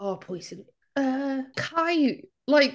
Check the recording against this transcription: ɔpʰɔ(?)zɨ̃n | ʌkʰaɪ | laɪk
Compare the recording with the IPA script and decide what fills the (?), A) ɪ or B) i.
A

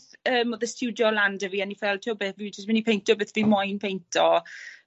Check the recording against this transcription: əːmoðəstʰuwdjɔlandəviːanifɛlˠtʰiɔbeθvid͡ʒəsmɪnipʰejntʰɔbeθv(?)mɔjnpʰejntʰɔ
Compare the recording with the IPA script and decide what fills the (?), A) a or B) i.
B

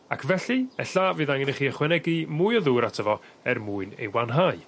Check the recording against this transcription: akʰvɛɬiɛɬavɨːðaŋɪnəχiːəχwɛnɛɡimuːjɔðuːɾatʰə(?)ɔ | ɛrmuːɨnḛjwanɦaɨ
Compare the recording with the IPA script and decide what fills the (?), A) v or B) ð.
A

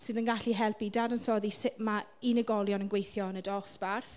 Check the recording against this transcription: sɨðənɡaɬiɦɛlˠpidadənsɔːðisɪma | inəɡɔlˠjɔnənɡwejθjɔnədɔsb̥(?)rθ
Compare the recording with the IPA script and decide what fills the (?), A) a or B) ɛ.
A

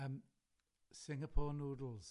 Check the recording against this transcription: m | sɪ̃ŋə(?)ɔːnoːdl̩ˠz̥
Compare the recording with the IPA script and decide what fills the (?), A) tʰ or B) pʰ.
B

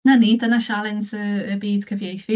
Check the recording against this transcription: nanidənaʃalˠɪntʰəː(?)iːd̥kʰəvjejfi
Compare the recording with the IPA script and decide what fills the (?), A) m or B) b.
B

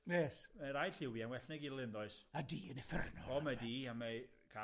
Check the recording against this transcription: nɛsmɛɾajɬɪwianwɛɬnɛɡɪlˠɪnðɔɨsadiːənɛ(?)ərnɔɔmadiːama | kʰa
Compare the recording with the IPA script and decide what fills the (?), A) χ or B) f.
B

